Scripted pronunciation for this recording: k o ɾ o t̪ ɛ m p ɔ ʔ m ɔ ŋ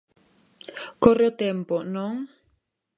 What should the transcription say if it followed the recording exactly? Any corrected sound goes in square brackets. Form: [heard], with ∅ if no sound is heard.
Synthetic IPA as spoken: k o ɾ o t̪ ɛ m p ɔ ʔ [n] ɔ ŋ